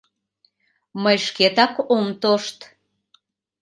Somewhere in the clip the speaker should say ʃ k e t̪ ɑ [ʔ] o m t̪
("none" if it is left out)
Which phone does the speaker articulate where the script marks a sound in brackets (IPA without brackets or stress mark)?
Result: k